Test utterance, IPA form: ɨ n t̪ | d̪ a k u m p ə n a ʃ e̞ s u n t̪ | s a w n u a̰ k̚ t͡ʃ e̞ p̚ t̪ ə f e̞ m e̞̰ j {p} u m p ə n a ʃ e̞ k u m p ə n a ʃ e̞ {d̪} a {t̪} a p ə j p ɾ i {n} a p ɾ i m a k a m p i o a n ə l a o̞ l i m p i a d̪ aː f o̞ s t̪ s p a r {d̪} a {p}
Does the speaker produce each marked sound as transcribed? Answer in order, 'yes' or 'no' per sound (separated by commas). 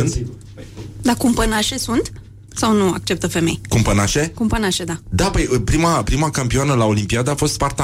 no, yes, no, no, no, no